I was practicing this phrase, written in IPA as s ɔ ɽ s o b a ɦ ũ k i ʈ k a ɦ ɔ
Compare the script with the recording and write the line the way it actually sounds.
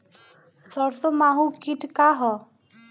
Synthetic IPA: s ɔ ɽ s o m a ɦ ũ k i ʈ k a ɦ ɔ